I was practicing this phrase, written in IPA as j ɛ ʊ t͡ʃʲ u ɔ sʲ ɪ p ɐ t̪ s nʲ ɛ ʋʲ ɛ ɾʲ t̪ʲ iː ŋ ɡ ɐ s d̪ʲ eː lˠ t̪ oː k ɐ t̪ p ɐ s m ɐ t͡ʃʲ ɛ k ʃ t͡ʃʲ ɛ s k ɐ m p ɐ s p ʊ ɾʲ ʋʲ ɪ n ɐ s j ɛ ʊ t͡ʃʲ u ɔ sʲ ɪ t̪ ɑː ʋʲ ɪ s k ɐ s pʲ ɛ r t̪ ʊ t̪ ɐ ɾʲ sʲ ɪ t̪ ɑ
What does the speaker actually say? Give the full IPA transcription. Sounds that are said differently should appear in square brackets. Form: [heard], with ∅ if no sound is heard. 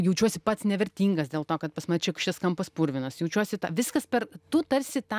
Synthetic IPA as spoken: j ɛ ʊ t͡ʃʲ u ɔ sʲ ɪ p ɐ t̪ s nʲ ɛ ʋʲ ɛ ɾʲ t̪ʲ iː ŋ ɡ ɐ s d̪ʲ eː lˠ t̪ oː k ɐ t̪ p ɐ s m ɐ t͡ʃʲ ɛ k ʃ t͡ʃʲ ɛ s k ɐ m p ɐ s p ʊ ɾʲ ʋʲ ɪ n ɐ s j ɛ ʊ t͡ʃʲ u ɔ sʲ ɪ t̪ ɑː ʋʲ ɪ s k ɐ s pʲ ɛ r t̪ ʊ t̪ ɐ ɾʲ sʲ ɪ t̪ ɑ